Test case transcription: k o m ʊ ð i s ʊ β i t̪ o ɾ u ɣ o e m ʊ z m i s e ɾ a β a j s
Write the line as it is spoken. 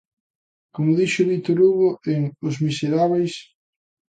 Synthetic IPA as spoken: k o m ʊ ð i ʃ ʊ β i t̪ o ɾ u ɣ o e ŋ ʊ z m i s e ɾ a β e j s